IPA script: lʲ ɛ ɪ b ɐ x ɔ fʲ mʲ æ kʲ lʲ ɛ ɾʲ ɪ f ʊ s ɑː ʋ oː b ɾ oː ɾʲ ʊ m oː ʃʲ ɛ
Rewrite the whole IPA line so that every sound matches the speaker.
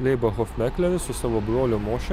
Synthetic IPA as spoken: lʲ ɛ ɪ b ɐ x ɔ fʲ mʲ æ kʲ lʲ ɛ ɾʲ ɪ s ʊ s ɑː ʋ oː b ɾ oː lʲ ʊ m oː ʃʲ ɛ